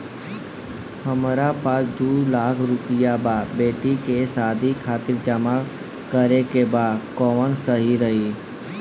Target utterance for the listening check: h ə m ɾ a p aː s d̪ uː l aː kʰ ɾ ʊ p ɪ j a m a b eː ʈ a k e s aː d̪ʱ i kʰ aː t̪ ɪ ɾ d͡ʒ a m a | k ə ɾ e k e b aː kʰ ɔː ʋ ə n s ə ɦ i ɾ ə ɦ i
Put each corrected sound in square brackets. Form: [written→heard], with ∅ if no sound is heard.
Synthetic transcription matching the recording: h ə m ɾ a p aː s d̪ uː l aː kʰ ɾ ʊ p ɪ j a [m→b] a b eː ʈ [a→i] k e s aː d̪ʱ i kʰ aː t̪ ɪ ɾ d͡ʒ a m a | k ə ɾ e k e b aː [kʰ→k] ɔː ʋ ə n s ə ɦ i ɾ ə ɦ i